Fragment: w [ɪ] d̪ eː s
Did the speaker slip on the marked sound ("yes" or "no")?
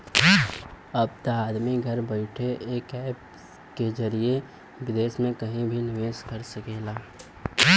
no